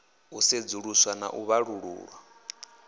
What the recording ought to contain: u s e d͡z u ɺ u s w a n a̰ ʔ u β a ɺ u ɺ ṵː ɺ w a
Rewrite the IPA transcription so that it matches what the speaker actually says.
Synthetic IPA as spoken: u s e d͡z u ɺ u s w a n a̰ ʔ u β a ɺ u ɺ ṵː ɺ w a